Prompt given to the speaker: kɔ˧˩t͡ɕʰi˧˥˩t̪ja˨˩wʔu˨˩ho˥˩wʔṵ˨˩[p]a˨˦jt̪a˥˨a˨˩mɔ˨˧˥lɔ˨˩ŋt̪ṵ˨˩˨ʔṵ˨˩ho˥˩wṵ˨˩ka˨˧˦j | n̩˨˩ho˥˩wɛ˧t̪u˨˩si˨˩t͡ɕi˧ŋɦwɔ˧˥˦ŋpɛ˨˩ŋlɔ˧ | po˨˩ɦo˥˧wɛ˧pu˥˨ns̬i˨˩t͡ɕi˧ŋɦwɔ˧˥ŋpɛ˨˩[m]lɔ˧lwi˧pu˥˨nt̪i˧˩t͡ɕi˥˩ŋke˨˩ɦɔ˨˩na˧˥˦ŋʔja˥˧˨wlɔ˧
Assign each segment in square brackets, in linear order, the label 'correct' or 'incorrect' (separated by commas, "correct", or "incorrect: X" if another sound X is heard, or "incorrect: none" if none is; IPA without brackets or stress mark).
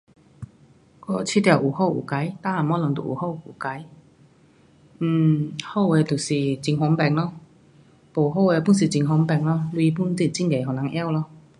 incorrect: k, incorrect: ŋ